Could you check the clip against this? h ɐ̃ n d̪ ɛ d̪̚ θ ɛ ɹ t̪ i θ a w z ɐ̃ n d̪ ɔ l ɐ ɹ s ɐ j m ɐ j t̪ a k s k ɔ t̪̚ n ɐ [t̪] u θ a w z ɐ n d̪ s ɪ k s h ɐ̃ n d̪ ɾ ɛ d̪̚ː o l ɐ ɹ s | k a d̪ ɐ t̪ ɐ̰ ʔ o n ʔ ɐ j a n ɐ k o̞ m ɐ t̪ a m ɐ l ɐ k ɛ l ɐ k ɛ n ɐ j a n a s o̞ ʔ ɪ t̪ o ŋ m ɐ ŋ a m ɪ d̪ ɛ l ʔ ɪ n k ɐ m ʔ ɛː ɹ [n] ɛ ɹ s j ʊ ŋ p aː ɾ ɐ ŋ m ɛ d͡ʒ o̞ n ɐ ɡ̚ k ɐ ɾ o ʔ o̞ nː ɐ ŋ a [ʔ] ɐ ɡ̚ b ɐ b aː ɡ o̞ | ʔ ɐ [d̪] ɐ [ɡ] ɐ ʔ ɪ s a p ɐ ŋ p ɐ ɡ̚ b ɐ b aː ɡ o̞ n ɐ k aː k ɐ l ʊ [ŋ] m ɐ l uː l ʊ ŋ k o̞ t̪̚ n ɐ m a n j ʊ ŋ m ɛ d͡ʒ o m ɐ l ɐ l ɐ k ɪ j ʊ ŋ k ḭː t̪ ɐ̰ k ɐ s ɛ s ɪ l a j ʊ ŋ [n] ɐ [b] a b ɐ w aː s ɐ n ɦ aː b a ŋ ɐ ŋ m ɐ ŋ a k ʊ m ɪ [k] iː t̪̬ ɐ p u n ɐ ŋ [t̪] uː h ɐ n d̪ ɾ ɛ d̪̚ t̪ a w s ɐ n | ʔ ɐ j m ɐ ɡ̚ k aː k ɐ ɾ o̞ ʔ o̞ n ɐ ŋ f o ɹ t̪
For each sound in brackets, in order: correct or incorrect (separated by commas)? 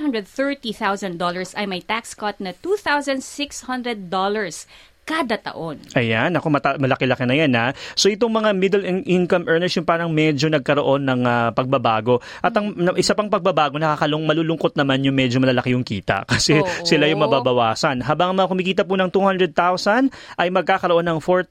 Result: correct, correct, incorrect, incorrect, incorrect, correct, incorrect, correct, correct, correct